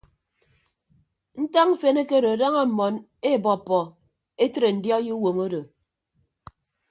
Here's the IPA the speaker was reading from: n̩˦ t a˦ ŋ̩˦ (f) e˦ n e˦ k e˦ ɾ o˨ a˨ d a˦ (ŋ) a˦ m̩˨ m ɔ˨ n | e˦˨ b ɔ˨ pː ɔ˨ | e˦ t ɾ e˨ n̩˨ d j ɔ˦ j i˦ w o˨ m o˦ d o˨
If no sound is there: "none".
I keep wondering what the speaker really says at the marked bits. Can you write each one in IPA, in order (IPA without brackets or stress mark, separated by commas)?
f, ŋ